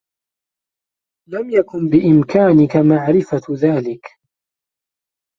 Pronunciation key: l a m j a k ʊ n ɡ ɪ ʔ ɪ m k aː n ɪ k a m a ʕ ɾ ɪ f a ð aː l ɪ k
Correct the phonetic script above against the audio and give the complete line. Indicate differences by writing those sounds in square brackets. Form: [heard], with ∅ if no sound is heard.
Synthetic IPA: l a m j a k ʊ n [b] ɪ ʔ ɪ m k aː n ɪ k a m a ʕ ɾ ɪ f a ð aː l ɪ k